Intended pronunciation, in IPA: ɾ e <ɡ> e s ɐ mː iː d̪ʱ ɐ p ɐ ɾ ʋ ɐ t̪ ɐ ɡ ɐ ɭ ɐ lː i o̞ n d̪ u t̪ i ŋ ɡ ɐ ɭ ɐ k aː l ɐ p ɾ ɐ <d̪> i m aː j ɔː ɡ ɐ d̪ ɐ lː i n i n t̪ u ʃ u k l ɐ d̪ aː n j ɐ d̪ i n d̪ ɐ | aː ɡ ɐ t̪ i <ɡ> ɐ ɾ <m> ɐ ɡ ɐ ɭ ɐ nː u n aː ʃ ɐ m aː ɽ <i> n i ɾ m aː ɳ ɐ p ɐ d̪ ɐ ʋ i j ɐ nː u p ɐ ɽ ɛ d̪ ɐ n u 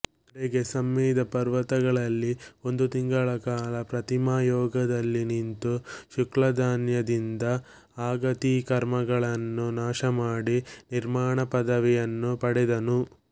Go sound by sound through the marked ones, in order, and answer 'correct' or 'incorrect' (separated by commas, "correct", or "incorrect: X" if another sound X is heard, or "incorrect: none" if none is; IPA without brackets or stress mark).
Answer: correct, incorrect: t̪, incorrect: k, correct, correct